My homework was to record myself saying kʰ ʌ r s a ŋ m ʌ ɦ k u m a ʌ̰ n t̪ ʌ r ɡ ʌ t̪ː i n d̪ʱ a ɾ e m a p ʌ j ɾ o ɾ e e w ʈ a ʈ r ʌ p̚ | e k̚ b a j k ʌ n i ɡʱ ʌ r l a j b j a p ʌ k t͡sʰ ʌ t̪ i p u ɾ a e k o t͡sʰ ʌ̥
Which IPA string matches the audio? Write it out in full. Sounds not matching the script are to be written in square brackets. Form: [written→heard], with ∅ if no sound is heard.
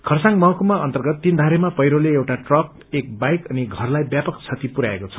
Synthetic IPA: kʰ ʌ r s a ŋ m ʌ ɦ k u m a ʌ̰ n t̪ ʌ r ɡ ʌ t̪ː i n d̪ʱ a ɾ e m a p ʌ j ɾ o [ɾ→l] e e w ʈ a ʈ r ʌ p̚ | e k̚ b a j k ʌ n i ɡʱ ʌ r l a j b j a p ʌ k t͡sʰ ʌ t̪ i p u ɾ a e k o t͡sʰ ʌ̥

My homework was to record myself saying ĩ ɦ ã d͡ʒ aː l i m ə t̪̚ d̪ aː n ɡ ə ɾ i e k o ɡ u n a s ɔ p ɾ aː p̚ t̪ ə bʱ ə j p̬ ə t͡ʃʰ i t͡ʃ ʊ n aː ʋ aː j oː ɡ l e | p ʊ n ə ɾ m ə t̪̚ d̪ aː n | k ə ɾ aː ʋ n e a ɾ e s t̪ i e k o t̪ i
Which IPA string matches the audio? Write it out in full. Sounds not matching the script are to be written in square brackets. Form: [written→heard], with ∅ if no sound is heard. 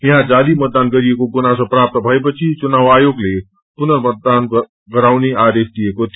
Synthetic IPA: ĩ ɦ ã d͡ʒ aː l i m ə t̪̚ d̪ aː n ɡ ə ɾ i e k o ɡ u n a s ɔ p ɾ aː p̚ t̪ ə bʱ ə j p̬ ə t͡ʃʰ i t͡ʃ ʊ n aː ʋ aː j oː ɡ l e | p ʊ n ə ɾ m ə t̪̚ d̪ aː n | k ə ɾ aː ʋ n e a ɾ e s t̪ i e k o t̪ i

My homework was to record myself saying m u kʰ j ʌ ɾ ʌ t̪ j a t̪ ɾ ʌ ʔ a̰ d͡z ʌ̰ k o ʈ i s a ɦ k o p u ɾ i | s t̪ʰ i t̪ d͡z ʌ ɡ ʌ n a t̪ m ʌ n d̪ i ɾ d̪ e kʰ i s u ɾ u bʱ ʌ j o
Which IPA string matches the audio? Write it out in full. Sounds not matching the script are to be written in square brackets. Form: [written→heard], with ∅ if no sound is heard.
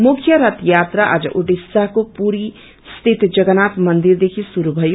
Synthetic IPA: m u kʰ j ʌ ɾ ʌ t̪ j a t̪ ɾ [ʌ→a] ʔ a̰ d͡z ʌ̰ [k→ʔ] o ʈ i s a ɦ k o p u ɾ i | s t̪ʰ i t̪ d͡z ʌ ɡ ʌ n a t̪ m ʌ n d̪ i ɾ d̪ e kʰ i s u ɾ u bʱ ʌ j o

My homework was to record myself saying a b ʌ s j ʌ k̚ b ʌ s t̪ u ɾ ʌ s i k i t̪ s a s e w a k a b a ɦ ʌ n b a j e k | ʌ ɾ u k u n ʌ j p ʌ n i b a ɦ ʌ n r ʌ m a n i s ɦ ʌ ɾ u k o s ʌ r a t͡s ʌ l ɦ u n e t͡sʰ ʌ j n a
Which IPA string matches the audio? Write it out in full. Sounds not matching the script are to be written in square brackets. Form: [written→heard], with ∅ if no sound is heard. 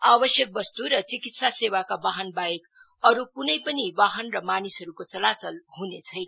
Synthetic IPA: a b ʌ s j ʌ k̚ b ʌ s t̪ u ɾ ʌ [s→t͡s] i k i t̪ s a s e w a k a b a ɦ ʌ n b a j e k | ʌ ɾ u k u n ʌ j p ʌ n i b a ɦ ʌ n r ʌ m a n i s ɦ ʌ ɾ u k o [s→t͡s] ʌ [r→l] a t͡s ʌ l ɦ u n e t͡sʰ ʌ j n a

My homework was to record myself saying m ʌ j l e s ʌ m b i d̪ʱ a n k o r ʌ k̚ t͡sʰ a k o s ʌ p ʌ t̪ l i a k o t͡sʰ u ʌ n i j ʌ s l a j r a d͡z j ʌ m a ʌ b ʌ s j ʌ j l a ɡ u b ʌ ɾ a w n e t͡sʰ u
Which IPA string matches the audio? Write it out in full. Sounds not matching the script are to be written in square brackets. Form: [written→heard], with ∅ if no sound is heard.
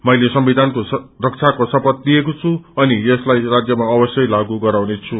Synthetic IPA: m ʌ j l e s ʌ m b i d̪ʱ a n k o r ʌ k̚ t͡sʰ a k o s ʌ p ʌ t̪ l i [a→e] k o t͡sʰ u ʌ n i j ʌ s l a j r a d͡z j ʌ m a ʌ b ʌ s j ʌ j l a ɡ u [b→ɡ] ʌ ɾ a w n e t͡sʰ u

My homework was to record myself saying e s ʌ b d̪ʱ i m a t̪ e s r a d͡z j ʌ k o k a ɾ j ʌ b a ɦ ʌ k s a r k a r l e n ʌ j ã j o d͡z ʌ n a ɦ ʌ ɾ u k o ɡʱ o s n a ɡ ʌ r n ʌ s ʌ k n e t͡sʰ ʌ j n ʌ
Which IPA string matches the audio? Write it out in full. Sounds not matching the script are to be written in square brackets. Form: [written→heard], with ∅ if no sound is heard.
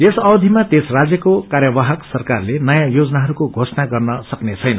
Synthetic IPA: e s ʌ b d̪ʱ i m a t̪ e s r a d͡z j ʌ k o k a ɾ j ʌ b a ɦ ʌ k s [a→ʌ] r k a r l e n ʌ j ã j o d͡z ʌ n a ɦ ʌ ɾ u k o ɡʱ o s n a ɡ ʌ r n ʌ s ʌ k n e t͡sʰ ʌ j n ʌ

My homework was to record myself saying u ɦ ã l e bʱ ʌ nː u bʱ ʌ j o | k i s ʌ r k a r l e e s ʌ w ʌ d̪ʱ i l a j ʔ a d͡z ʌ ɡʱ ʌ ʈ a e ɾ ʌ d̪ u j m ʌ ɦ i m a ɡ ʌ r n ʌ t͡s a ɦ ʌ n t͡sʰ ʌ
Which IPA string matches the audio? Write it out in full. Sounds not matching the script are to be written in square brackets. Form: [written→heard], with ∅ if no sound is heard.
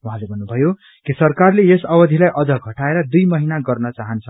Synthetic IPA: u ɦ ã l e bʱ ʌ nː u bʱ ʌ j o | k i s ʌ r k a r l e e s ʌ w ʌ d̪ʱ i l a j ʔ [a→ʌ] d͡z ʌ ɡʱ ʌ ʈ a e ɾ ʌ d̪ u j m ʌ ɦ i [m→n] a ɡ ʌ r n ʌ t͡s a ɦ ʌ n t͡sʰ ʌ

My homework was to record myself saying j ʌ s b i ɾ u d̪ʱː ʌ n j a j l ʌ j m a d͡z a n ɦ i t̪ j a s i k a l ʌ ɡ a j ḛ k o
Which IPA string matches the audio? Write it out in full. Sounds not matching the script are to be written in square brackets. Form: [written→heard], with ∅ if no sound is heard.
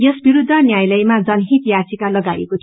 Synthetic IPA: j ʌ s b i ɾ u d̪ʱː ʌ n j a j l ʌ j m a d͡z [a→ʌ] n ɦ i t̪ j a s i k a l ʌ ɡ a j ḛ k o

